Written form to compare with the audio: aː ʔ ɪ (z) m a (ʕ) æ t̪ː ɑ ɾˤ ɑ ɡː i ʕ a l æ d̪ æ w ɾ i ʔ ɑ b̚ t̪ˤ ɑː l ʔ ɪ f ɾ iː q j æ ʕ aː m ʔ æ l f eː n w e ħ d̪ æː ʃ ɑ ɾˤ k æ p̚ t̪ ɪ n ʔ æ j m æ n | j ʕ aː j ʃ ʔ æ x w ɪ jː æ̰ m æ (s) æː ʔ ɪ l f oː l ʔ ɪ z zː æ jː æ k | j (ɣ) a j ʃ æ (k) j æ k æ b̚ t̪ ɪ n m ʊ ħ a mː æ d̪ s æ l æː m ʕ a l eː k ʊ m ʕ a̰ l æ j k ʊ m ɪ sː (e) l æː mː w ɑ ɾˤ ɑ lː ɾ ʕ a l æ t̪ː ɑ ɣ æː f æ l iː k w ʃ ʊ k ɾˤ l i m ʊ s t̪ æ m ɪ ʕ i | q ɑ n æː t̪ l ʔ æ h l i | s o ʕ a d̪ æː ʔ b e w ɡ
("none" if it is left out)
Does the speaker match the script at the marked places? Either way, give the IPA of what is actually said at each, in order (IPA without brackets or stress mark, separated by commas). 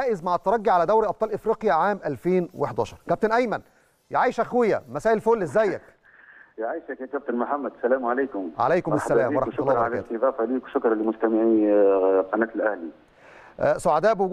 z, ʕ, s, ʕ, k, æ